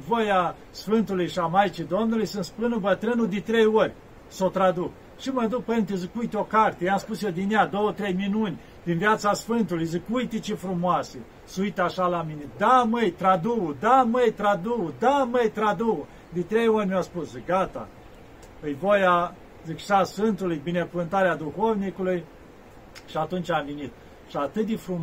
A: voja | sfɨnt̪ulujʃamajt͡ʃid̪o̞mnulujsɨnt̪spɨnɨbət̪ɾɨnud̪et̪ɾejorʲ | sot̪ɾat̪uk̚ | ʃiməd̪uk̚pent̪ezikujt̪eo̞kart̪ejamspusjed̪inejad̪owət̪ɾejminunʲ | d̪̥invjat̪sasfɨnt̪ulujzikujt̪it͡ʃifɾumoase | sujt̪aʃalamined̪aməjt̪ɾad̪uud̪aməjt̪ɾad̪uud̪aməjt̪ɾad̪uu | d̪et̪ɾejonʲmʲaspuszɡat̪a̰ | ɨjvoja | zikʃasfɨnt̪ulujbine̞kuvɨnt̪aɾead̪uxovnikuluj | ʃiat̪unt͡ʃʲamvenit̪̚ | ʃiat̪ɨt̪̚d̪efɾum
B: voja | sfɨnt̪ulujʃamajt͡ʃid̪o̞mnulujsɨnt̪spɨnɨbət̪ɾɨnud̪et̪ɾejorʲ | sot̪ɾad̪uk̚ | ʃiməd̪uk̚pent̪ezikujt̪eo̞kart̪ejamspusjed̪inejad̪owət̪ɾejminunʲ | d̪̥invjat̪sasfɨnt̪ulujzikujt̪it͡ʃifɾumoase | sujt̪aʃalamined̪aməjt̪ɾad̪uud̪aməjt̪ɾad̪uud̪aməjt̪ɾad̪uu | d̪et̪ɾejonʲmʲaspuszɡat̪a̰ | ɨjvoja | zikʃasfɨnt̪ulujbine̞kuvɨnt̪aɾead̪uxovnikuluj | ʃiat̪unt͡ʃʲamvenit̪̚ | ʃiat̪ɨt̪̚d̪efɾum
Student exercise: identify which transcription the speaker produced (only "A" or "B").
B